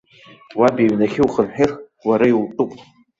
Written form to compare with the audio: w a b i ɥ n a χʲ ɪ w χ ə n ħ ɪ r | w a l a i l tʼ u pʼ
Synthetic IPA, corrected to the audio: w a b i ɥ n a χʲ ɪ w χ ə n ħ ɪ r | w a ɾ a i l tʼ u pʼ